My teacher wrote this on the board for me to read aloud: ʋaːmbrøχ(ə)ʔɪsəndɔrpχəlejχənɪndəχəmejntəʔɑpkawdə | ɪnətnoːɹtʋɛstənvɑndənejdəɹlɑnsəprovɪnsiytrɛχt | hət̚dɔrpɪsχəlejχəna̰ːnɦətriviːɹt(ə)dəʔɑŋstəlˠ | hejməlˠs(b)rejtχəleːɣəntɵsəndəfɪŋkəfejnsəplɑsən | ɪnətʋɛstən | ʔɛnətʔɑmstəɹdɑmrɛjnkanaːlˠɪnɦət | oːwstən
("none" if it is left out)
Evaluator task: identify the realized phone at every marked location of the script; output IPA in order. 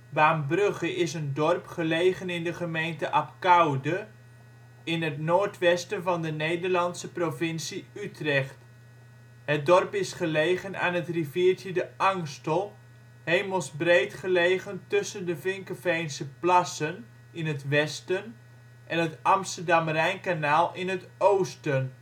ə, ə, b

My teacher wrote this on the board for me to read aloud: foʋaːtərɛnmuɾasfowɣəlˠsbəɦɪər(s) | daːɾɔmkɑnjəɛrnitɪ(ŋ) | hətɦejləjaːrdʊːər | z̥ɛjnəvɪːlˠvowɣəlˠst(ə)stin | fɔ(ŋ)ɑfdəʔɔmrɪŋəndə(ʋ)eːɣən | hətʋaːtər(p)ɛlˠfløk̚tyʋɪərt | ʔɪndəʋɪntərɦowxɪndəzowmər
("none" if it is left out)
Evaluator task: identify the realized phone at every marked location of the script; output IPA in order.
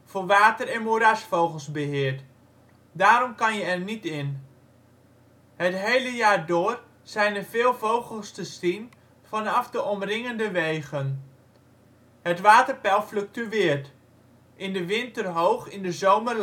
t, n, ə, n, ʋ, p

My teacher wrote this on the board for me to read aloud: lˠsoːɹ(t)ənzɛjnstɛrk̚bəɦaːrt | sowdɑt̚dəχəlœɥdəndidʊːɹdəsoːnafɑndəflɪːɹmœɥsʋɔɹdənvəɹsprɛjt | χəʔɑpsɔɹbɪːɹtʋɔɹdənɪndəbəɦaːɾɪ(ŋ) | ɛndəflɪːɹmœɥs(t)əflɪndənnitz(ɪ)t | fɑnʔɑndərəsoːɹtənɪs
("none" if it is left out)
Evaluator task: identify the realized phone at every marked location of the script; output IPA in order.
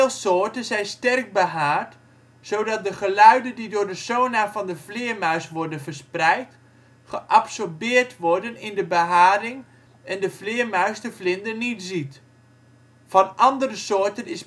t, ŋ, d, i

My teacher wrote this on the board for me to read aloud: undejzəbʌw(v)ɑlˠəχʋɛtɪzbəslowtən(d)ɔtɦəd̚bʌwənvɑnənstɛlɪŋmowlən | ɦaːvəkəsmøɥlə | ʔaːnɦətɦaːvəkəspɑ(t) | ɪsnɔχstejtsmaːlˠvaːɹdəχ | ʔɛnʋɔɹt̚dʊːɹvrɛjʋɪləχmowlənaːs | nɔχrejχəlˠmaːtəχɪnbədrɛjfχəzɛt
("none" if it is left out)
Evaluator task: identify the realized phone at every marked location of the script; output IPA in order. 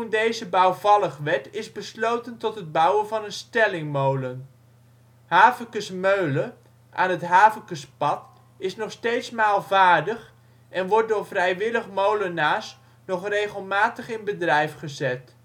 v, t, t

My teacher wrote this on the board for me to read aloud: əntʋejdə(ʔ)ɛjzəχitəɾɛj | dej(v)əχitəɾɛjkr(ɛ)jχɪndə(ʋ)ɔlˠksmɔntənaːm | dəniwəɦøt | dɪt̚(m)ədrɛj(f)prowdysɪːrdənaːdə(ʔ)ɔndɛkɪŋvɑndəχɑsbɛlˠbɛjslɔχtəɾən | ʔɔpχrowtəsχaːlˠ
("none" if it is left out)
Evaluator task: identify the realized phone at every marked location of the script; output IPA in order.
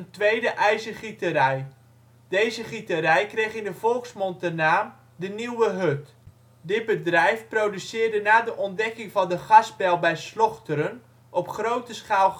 ʔ, z, e, v, b, f, ʔ

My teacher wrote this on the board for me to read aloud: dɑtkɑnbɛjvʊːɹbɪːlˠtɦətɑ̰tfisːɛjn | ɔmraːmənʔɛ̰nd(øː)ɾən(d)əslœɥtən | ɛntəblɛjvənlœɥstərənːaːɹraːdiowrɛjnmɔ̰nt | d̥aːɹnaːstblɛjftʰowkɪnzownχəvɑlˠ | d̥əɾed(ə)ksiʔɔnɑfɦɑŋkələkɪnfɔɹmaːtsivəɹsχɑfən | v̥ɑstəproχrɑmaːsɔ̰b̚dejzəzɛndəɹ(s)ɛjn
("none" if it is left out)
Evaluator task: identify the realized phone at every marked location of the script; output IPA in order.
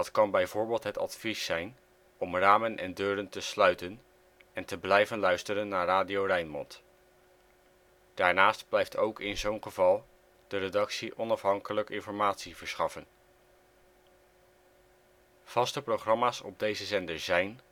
øː, t, ɑ, z

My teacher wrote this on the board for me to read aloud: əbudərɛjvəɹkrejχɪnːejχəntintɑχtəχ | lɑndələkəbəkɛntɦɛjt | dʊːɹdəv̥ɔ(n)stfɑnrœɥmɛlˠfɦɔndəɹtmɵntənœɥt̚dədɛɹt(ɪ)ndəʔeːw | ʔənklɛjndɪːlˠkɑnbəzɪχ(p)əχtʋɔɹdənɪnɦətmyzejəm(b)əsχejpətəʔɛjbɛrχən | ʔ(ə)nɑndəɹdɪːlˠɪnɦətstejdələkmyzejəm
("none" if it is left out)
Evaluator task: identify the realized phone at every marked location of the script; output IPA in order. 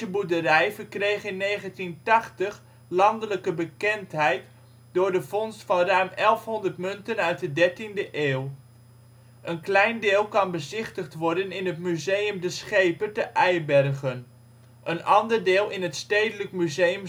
n, i, t, d, ə

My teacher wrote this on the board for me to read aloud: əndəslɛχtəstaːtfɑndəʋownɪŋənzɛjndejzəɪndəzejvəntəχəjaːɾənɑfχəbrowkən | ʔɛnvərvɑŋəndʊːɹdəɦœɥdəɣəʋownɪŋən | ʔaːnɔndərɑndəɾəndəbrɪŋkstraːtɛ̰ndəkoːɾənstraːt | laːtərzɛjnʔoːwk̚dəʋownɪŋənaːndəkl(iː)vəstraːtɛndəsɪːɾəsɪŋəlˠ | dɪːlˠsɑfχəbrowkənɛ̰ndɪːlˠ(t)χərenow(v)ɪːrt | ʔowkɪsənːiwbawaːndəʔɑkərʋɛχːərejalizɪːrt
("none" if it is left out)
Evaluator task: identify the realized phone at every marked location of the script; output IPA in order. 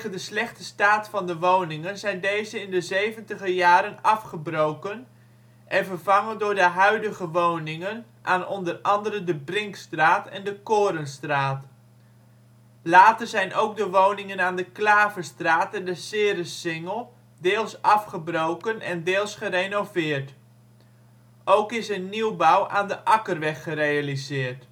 aː, s, v

